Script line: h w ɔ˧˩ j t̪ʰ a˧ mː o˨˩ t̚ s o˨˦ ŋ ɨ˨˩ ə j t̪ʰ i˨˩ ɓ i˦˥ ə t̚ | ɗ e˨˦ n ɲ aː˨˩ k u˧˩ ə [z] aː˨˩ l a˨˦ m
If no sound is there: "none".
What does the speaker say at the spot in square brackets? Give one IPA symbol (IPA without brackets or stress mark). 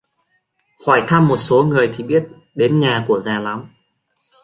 z